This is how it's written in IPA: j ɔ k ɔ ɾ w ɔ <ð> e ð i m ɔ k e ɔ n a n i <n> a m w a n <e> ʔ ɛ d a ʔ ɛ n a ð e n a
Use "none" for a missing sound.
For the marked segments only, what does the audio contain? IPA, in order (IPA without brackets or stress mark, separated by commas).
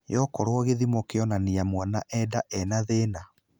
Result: ɣ, none, a